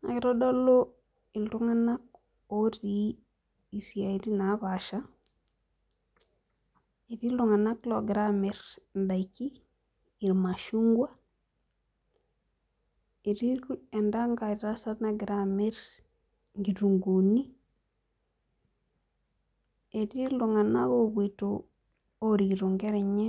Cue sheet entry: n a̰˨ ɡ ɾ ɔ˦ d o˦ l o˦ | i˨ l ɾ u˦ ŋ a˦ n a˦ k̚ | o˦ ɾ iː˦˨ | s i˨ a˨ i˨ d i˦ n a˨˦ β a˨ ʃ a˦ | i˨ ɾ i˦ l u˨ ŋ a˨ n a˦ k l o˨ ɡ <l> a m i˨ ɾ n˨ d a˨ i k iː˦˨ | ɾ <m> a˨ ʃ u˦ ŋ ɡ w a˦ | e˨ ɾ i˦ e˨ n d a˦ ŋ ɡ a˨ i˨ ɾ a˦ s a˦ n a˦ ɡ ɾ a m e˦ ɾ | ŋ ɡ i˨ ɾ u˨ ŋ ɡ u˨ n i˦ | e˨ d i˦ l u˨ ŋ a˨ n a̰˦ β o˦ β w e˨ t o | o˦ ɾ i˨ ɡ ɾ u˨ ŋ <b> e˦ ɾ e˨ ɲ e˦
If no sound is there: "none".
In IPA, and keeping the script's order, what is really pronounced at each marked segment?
ɾ, m, ɡ

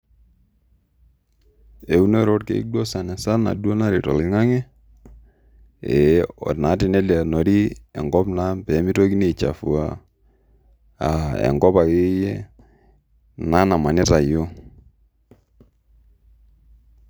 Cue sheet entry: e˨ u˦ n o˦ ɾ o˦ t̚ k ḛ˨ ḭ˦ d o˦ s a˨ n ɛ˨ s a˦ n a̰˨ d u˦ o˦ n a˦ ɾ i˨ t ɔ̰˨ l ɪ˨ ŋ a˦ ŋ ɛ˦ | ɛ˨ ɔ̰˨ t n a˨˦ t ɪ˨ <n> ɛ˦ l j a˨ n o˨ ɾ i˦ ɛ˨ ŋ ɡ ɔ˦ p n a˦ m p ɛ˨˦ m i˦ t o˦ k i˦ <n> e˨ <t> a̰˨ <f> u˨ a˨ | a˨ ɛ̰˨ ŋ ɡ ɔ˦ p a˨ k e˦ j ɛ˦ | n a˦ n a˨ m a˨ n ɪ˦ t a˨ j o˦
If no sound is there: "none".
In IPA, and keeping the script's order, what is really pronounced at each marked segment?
n, n, t͡ʃ, f

